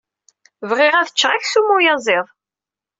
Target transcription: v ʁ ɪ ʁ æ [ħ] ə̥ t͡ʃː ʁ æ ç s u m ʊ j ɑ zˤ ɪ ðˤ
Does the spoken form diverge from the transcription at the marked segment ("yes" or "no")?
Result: yes